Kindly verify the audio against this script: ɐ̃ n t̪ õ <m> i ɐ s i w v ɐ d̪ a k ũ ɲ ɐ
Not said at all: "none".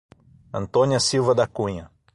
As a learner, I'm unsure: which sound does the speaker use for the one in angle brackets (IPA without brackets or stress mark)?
n